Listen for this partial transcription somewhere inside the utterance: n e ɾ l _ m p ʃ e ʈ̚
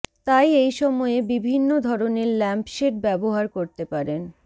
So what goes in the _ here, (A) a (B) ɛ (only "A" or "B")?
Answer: B